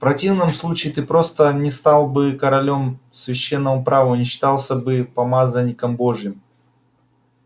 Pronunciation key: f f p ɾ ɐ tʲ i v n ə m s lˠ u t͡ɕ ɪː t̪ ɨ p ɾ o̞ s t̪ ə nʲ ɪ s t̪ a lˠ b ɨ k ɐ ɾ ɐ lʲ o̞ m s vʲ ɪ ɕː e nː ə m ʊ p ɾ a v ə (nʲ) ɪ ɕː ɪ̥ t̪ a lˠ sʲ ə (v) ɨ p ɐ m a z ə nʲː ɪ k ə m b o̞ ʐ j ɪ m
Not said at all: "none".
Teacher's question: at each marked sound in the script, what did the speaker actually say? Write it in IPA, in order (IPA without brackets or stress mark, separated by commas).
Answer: nʲ, b